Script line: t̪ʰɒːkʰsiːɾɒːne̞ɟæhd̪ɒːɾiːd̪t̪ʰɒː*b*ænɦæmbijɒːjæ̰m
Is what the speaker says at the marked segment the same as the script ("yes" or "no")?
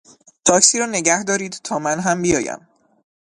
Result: no